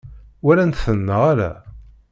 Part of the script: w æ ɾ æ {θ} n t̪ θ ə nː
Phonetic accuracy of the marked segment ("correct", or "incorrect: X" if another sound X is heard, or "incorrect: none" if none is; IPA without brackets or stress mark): incorrect: none